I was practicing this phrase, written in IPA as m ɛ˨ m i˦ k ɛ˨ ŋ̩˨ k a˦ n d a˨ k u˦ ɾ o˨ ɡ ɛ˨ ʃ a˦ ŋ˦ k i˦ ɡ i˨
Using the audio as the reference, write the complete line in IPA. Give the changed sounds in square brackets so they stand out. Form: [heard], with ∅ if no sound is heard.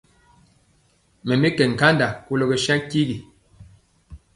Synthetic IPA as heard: m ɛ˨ m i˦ k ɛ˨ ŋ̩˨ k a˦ n d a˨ k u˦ [l] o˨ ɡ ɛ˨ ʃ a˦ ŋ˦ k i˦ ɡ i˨